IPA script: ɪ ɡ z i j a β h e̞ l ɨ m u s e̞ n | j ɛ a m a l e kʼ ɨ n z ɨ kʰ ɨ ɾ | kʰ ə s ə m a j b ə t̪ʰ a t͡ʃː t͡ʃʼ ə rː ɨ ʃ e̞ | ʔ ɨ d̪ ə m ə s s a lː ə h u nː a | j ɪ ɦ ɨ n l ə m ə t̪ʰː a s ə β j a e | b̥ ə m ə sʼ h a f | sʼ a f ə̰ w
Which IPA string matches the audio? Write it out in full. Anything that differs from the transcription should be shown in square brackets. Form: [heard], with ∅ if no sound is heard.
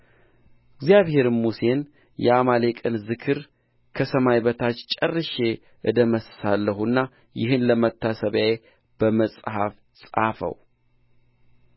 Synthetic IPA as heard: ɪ ɡ z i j a β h e̞ [ɾ] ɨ m u s e̞ n | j ɛ a m a l e kʼ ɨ n z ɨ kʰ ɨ ɾ | kʰ ə s ə m a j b ə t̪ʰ a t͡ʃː t͡ʃʼ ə rː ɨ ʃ e̞ | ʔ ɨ d̪ ə m ə s s a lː ə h u nː a | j ɪ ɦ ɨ n l ə m ə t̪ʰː a s ə β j a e | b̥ ə m ə sʼ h a f | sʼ a f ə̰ w